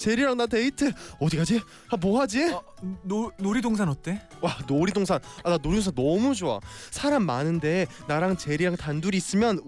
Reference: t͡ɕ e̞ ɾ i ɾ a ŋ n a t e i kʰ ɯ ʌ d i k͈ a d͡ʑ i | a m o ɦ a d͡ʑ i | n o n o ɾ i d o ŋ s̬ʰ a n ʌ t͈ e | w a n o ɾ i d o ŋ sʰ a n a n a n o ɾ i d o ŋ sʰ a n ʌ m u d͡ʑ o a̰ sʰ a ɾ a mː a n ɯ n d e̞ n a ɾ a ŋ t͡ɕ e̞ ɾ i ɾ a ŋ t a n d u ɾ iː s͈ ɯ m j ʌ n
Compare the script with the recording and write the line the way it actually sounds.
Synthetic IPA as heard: t͡ɕ e̞ ɾ i ɾ a ŋ n a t e i tʰ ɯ ʌ d i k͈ a d͡ʑ i | a m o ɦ a d͡ʑ i | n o n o ɾ i d o ŋ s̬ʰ a n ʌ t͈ e | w a n o ɾ i d o ŋ sʰ a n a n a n o ɾ i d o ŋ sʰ a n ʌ m u d͡ʑ o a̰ sʰ a ɾ a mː a n ɯ n d e̞ n a ɾ a ŋ t͡ɕ e̞ ɾ i ɾ a ŋ t a n d u ɾ iː s͈ ɯ m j ʌ n